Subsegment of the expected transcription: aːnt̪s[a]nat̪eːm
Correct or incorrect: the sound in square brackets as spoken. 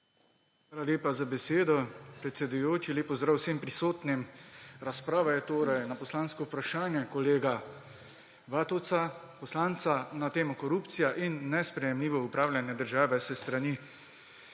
correct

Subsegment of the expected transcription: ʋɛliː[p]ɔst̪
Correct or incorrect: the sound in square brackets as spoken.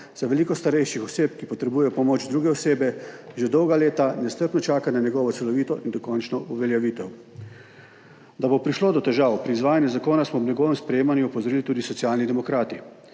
incorrect: k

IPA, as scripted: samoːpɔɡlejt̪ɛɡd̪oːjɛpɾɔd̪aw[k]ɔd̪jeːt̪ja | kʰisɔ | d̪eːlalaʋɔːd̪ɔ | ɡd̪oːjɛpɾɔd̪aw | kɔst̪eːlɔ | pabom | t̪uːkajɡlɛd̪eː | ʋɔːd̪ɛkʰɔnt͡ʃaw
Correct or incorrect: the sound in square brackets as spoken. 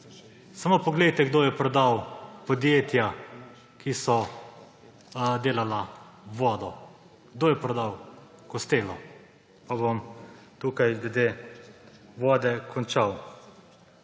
incorrect: p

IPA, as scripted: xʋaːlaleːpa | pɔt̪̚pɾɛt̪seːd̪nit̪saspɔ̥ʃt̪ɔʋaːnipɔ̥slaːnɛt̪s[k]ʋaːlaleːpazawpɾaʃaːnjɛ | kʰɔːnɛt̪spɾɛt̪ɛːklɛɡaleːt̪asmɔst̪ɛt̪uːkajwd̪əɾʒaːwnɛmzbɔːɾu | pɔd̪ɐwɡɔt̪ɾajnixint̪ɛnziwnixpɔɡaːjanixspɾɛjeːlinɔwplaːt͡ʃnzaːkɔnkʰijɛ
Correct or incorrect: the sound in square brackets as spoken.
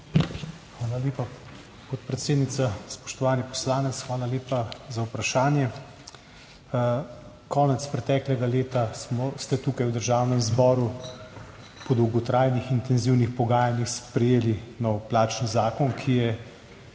incorrect: x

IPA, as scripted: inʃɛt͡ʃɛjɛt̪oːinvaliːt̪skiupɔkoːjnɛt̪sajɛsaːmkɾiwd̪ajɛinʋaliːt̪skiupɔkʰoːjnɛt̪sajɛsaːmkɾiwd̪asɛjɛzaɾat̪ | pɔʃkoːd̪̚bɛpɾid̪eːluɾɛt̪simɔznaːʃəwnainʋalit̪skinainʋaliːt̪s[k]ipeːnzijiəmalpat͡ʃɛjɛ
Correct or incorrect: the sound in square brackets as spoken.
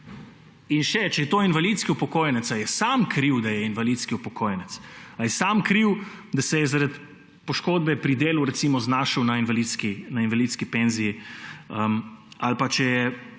correct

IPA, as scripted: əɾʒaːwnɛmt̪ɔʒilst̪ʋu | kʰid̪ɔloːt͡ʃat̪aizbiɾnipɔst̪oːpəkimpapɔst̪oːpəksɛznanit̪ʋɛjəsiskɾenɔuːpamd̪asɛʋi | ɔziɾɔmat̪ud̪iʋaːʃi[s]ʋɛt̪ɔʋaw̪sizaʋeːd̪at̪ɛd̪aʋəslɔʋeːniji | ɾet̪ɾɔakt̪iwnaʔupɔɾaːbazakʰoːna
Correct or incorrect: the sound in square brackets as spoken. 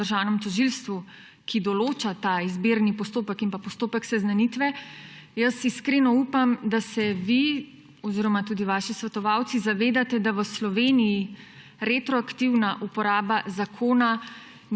correct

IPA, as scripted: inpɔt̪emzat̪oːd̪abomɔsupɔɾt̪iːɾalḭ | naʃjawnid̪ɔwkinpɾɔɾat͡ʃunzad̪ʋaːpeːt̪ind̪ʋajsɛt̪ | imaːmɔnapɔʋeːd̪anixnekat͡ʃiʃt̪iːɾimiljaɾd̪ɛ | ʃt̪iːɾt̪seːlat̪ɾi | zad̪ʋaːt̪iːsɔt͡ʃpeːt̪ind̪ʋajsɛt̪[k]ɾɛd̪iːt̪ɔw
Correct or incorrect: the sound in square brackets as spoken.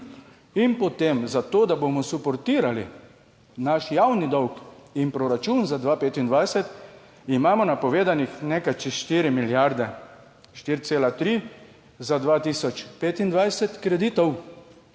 correct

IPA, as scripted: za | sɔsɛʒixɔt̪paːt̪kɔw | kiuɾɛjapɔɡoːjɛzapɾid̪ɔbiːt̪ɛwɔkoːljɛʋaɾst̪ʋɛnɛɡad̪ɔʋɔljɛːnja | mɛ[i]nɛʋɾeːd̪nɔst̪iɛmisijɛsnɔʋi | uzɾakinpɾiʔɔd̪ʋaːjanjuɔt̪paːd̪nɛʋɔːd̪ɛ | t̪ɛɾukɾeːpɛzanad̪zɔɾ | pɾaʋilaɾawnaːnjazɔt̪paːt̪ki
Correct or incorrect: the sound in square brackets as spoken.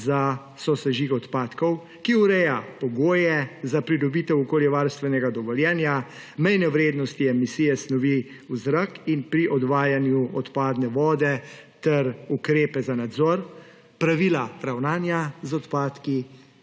incorrect: j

